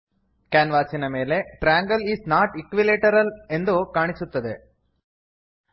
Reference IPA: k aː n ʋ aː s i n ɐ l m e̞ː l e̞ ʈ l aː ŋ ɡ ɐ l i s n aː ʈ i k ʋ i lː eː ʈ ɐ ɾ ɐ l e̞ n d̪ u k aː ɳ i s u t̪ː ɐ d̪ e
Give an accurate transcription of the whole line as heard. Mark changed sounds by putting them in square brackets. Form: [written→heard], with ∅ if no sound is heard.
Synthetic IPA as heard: k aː n ʋ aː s i n ɐ [l→∅] m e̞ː l e̞ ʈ [l→ɾ] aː ŋ ɡ ɐ l i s n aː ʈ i k ʋ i [lː→l] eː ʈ ɐ ɾ ɐ l e̞ n d̪ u k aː ɳ i s u t̪ː ɐ d̪ e